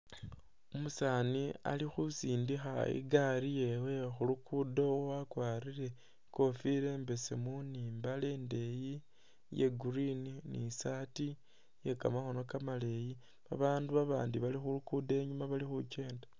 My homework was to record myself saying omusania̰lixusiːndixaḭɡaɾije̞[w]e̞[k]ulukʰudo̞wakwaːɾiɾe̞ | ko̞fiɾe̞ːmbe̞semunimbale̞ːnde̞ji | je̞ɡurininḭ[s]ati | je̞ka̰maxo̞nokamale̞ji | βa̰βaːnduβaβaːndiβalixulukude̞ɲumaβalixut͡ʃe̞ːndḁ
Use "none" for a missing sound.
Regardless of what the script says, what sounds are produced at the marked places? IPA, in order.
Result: w, x, s

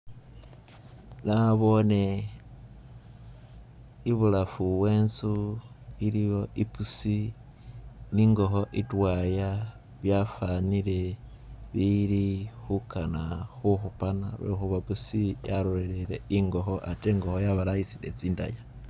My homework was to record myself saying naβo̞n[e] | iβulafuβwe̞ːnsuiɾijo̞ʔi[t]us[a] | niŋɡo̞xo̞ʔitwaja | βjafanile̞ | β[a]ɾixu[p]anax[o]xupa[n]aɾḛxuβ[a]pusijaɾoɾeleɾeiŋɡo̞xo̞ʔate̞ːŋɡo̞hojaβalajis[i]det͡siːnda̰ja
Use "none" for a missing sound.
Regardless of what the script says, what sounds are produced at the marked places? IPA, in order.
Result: e, p, i, i, k, u, n, a, i

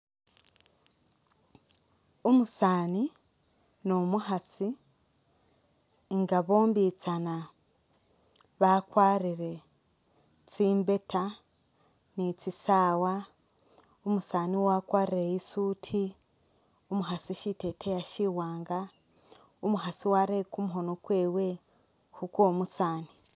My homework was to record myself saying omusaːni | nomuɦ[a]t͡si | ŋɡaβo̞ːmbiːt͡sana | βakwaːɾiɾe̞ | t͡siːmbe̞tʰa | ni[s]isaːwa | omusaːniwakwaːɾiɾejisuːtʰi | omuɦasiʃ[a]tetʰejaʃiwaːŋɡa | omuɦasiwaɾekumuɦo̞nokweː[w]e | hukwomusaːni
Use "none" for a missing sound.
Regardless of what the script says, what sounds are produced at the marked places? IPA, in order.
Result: a, t͡s, i, w

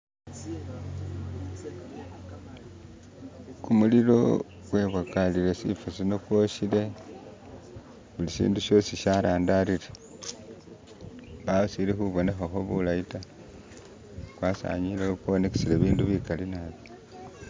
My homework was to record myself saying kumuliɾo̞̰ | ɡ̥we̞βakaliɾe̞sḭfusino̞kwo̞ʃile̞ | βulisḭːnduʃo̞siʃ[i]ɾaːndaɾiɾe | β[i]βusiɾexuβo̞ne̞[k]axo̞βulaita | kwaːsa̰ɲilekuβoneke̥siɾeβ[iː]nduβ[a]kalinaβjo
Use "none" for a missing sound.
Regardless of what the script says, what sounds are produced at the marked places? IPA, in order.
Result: a, a, x, iː, i

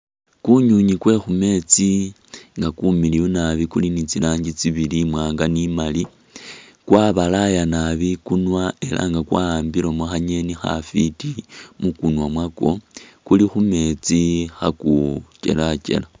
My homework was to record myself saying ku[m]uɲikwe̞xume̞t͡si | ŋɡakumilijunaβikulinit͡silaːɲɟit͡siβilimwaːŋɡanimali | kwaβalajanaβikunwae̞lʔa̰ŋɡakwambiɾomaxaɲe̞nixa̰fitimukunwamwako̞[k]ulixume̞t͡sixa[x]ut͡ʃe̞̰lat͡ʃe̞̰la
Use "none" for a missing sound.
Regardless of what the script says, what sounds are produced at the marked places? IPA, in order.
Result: ɲ, k, k

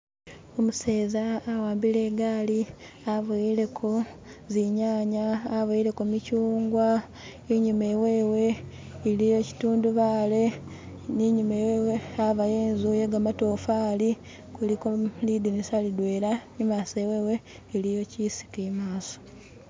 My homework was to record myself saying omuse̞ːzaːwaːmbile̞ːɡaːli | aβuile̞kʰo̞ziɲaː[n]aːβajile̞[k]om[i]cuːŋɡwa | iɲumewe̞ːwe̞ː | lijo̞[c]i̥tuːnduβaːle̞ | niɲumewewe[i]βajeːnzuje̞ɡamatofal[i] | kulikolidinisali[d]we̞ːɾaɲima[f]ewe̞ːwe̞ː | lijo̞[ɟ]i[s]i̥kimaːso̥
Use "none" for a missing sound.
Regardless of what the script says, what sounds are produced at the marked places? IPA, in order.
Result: ɲ, k, i, c, a, i, d, s, c, s

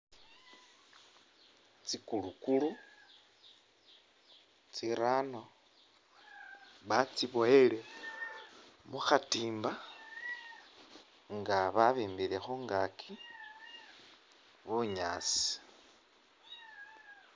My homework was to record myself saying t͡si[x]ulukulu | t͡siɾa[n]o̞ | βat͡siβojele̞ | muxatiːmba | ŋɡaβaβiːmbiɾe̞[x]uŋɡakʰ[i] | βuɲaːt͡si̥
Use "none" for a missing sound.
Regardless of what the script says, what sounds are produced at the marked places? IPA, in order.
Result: k, n, x, i

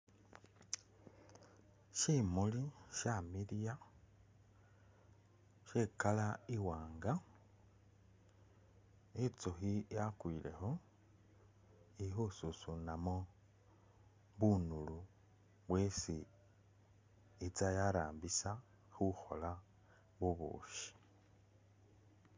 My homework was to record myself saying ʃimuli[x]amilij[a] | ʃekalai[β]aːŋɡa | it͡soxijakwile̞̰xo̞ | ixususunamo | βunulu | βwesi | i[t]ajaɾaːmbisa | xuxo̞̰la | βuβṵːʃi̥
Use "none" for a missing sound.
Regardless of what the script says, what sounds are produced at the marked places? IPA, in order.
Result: ʃ, a, w, t͡s

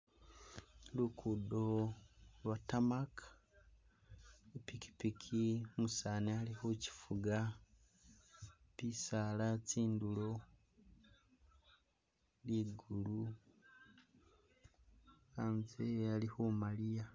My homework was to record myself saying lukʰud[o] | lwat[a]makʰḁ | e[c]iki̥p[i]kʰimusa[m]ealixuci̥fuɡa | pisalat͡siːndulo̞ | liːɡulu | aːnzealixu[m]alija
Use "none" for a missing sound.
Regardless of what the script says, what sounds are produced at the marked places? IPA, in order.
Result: o, a, p, i, n, m

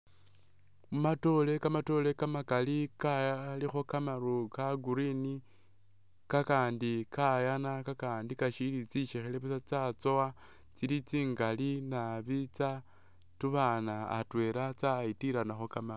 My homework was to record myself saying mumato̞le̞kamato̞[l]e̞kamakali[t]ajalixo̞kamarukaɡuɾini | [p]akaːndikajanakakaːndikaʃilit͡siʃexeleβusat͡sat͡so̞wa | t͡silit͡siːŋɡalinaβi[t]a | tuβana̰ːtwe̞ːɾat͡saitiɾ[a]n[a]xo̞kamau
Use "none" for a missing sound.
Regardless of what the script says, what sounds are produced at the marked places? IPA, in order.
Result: l, k, k, t͡s, a, a

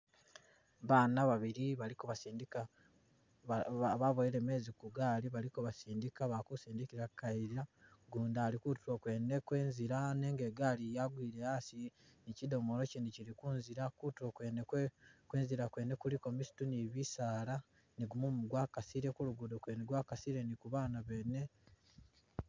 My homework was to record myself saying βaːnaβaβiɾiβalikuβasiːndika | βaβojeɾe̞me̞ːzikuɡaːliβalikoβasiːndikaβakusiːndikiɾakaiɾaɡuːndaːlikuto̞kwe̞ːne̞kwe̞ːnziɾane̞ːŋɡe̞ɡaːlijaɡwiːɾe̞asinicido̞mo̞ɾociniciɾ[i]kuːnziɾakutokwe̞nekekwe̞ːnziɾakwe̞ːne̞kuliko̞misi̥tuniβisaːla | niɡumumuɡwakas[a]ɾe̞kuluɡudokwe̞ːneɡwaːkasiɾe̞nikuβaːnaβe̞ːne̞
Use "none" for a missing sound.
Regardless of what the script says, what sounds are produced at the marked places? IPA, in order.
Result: i, i

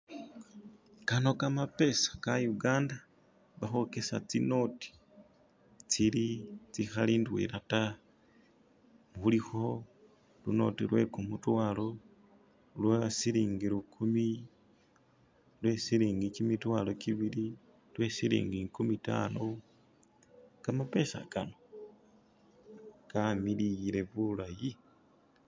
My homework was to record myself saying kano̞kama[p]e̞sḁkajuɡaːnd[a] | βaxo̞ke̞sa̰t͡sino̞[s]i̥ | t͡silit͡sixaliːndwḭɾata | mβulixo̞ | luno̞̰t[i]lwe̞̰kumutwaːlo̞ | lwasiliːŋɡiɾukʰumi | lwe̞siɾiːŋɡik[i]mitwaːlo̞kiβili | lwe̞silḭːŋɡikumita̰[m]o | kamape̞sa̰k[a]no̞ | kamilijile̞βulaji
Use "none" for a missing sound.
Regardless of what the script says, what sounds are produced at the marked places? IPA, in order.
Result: p, a, t, i, i, n, a

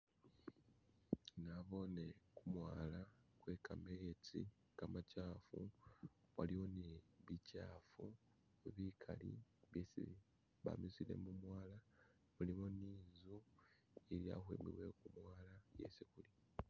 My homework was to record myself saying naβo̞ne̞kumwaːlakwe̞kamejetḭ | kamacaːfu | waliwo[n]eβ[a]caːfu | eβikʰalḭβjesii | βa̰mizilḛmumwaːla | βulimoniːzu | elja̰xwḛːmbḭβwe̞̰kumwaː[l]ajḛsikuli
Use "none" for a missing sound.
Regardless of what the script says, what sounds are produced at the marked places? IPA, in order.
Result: n, i, l

